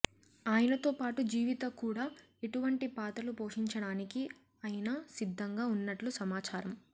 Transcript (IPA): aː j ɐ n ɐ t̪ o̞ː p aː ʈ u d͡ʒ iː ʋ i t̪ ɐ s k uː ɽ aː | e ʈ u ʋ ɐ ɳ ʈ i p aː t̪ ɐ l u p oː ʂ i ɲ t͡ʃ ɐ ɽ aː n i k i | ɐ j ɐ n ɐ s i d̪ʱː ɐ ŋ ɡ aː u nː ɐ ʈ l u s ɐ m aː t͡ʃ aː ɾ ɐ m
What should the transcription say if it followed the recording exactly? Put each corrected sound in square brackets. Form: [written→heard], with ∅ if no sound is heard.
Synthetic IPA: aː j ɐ n ɐ t̪ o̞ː p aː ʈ u d͡ʒ iː ʋ i t̪ ɐ [s→∅] k uː ɽ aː | e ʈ u ʋ ɐ ɳ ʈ i p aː t̪ ɐ l u p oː ʂ i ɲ t͡ʃ ɐ ɽ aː n i k i | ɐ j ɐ n ɐ s i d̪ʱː ɐ ŋ ɡ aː u nː ɐ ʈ l u s ɐ m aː t͡ʃ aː ɾ ɐ m